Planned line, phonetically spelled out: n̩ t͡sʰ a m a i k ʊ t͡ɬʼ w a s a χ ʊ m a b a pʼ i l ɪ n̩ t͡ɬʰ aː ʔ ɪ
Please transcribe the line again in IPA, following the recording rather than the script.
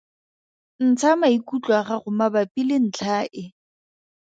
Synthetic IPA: n̩ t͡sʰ a m a i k u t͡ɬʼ w a χ a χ ʊ m a b a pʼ i l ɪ n̩ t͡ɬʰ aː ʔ ɪ